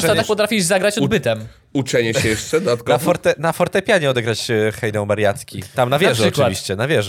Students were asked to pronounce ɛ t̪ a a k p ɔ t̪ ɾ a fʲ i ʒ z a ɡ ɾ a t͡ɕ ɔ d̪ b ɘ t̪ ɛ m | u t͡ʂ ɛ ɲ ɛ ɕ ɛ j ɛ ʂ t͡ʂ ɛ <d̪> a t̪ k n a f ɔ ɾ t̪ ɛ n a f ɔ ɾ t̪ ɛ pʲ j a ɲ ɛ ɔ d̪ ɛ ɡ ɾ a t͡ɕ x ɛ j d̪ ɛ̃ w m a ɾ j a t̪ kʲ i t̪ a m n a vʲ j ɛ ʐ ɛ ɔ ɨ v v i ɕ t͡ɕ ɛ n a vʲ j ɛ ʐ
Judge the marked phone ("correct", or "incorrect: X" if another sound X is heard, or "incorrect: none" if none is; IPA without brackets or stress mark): correct